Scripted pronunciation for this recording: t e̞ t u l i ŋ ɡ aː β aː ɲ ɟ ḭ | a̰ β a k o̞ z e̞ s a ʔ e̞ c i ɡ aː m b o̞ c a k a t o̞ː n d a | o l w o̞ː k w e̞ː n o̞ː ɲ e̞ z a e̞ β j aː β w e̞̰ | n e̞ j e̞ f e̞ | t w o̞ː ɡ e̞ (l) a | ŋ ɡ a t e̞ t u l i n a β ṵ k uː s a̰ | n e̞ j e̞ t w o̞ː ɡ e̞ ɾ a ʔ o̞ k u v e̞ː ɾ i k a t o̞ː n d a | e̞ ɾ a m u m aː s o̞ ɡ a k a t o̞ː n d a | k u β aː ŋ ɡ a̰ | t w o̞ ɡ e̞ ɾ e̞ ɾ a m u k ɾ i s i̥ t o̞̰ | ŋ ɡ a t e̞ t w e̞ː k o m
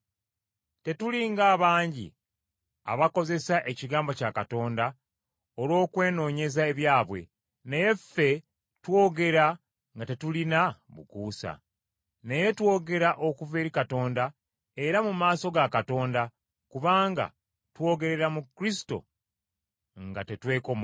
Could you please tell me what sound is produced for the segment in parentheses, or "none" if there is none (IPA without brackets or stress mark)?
ɾ